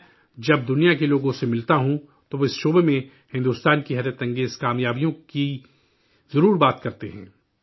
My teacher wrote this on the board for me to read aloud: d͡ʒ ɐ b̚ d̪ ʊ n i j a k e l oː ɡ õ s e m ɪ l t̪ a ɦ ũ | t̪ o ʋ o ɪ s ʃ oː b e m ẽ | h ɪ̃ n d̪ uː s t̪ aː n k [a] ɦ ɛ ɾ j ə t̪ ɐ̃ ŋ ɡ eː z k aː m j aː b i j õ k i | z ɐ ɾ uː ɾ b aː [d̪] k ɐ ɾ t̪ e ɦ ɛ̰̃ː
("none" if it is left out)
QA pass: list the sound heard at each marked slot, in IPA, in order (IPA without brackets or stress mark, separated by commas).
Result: i, t̪